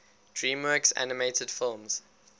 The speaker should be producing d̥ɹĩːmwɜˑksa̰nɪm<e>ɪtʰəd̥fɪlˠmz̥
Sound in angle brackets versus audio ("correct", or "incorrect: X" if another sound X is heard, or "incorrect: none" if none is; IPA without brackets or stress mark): correct